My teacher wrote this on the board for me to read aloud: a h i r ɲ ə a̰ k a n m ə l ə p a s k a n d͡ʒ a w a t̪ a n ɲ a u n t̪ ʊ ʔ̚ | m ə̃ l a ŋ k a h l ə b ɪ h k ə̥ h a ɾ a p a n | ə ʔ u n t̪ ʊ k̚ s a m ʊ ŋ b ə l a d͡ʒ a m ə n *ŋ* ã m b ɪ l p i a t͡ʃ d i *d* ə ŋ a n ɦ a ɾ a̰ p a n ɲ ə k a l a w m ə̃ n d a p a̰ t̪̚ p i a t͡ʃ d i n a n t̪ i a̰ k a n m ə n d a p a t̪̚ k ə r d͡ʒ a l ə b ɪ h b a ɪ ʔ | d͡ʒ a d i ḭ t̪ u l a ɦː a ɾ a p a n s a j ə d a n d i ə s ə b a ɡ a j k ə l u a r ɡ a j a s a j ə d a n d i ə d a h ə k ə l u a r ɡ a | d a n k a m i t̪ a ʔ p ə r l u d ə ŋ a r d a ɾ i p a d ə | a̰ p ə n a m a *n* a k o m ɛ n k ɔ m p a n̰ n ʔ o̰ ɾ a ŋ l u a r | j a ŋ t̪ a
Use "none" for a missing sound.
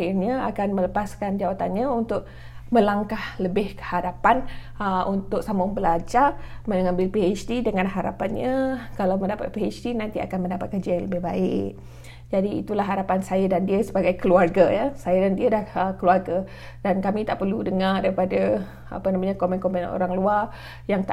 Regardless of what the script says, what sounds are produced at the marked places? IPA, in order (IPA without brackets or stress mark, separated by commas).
ŋ, d, ɲ